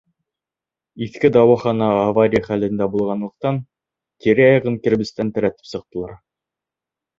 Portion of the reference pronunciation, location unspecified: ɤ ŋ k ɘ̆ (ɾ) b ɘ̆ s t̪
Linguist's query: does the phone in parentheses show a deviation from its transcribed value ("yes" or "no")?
no